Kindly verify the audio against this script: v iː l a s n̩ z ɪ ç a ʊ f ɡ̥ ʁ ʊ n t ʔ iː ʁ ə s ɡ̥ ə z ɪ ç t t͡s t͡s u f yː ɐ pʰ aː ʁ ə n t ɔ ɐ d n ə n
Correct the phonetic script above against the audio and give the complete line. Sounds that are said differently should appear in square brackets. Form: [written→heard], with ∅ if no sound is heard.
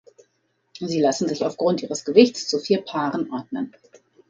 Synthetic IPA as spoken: [v→z] iː l a s n̩ z ɪ ç a ʊ f ɡ̥ ʁ ʊ n t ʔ iː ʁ ə s ɡ̥ ə [z→v] ɪ ç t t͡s t͡s u f [yː→iː] ɐ pʰ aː ʁ ə n [t→ʔ] ɔ ɐ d n ə n